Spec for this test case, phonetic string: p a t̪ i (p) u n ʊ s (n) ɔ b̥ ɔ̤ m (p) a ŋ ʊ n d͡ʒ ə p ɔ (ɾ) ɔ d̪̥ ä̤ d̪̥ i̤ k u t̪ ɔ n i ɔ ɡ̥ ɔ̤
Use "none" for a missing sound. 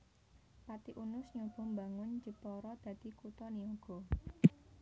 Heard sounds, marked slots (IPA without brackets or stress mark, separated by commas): ʔ, ɲ, b, ɾ